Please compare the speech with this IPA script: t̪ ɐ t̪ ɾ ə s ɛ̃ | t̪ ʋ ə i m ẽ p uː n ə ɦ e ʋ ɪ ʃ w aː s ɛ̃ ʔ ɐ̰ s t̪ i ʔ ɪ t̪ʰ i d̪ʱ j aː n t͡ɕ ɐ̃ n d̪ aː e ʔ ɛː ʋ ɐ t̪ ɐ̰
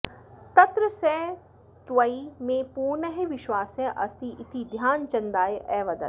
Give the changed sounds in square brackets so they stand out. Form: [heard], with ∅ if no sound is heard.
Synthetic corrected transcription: t̪ ɐ t̪ ɾ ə s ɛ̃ | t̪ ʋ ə i m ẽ p uː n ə ɦ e ʋ ɪ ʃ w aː s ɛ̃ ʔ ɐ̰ s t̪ i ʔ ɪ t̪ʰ i d̪ʱ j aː n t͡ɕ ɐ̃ n d̪ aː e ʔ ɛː ʋ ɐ [d̪] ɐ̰

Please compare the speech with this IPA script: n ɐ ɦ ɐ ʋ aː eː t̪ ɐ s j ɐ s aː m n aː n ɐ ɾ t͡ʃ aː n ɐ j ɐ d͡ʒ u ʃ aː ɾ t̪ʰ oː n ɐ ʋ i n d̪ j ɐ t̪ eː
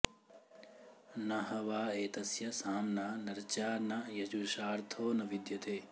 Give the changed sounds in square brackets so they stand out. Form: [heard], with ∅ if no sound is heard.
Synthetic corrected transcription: n ɐ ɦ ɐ ʋ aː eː t̪ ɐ s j ɐ s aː m n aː n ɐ ɾ t͡ʃ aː n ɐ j ɐ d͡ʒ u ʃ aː ɾ t̪ʰ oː n ɐ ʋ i [∅] d̪ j ɐ t̪ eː

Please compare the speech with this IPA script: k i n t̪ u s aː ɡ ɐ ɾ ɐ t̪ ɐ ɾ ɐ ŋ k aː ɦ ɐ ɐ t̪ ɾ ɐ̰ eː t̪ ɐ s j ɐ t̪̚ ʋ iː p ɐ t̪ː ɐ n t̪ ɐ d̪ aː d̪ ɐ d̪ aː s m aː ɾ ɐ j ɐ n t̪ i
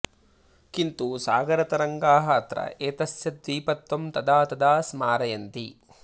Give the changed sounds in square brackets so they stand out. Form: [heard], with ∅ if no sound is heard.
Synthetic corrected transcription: k i n t̪ u s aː ɡ ɐ ɾ ɐ t̪ ɐ ɾ ɐ ŋ [ɡ] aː ɦ ɐ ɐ t̪ ɾ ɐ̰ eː t̪ ɐ s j ɐ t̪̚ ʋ iː p ɐ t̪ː ɐ [m] t̪ ɐ d̪ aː [t̪] ɐ d̪ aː s m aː ɾ ɐ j ɐ n t̪ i

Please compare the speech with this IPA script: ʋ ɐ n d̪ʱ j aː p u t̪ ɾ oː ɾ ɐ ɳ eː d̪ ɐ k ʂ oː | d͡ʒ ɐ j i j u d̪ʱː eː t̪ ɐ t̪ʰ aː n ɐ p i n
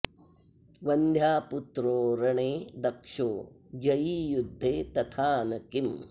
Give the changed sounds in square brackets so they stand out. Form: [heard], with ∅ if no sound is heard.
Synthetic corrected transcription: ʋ ɐ n d̪ʱ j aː p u t̪ ɾ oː ɾ ɐ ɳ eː d̪ ɐ k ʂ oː | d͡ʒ ɐ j i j u d̪ʱː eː t̪ ɐ t̪ʰ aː n ɐ [k] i [m]

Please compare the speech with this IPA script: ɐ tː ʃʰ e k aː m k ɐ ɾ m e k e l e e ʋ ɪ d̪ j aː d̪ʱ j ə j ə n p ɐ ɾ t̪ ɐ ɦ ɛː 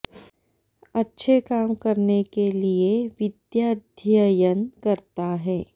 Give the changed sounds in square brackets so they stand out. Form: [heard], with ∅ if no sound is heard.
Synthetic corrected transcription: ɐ tː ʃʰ e k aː m k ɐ ɾ [n] e k e l [i] e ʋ ɪ d̪ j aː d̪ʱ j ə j ə n [k] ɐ ɾ t̪ [a] ɦ ɛː

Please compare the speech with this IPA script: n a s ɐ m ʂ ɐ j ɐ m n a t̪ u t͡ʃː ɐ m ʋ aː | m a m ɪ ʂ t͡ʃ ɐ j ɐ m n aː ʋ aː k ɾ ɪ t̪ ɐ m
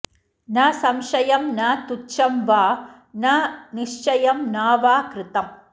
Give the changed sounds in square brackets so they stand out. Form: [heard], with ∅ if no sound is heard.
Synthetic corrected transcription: n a s ɐ m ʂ ɐ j ɐ m n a t̪ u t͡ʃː ɐ m ʋ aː | [n] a [n] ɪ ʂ t͡ʃ ɐ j ɐ m n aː ʋ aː k ɾ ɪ t̪ ɐ m

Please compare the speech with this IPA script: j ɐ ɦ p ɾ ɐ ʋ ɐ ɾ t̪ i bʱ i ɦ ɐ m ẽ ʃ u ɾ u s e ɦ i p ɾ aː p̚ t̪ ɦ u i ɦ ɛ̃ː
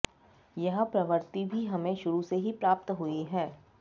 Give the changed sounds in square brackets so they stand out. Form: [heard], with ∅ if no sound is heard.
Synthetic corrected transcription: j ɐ ɦ p ɾ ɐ ʋ [ə] ɾ t̪ i bʱ i ɦ ɐ m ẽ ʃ [ʊ] ɾ u s e ɦ i p ɾ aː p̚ t̪ ɦ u i ɦ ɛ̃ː

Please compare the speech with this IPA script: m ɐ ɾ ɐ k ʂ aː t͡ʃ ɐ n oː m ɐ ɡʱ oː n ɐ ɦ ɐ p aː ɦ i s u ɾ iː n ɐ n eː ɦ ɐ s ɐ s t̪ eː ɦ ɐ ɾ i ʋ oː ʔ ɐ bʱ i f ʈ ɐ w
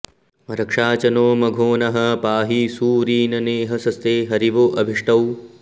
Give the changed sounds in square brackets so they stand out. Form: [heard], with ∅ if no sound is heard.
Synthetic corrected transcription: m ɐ ɾ ɐ k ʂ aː t͡ʃ ɐ n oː m ɐ ɡʱ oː n ɐ ɦ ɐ p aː ɦ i s [uː] ɾ iː n ɐ n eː ɦ ɐ s ɐ s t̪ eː ɦ ɐ ɾ i ʋ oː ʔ ɐ bʱ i [ʂ] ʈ ɐ w

